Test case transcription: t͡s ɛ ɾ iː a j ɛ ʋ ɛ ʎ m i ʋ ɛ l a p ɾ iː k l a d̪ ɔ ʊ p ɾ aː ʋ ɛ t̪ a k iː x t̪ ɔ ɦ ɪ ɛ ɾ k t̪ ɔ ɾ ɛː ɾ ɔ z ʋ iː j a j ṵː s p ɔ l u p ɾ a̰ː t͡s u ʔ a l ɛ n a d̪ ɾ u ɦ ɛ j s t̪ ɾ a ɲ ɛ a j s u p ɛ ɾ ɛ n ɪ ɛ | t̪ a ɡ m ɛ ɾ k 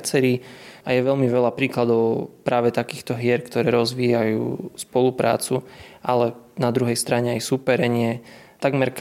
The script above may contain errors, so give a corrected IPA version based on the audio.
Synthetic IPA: t͡s ɛ ɾ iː a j ɛ ʋ ɛ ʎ m i ʋ ɛ l a p ɾ iː k l a d̪ ɔ ʊ p ɾ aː ʋ ɛ t̪ a k iː x t̪ ɔ ɦ ɪ ɛ ɾ k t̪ ɔ ɾ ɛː ɾ ɔ z ʋ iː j a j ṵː s p ɔ l u p ɾ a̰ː t͡s u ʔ a l ɛ n a d̪ ɾ u ɦ ɛ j s t̪ ɾ a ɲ ɛ a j s u p ɛ ɾ ɛ ɲ ɪ ɛ | t̪ a ɡ m ɛ ɾ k